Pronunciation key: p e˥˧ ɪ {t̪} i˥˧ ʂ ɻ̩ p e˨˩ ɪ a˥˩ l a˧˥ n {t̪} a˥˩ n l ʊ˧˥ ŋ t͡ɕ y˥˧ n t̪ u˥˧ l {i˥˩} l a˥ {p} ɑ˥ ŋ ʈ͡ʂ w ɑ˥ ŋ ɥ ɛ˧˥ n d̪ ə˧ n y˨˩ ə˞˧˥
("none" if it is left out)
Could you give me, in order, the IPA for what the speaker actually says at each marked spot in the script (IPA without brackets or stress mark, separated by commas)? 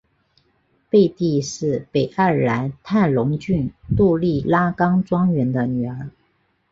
t̪, t̪ʰ, i˥˩, k